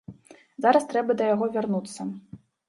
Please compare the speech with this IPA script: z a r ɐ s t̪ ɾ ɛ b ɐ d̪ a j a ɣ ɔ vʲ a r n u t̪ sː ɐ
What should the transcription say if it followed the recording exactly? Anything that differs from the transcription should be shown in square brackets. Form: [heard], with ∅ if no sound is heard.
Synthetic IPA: z a [ɾ] ɐ s t̪ ɾ ɛ b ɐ d̪ [ɐ] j a ɣ ɔ vʲ a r n u t̪ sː ɐ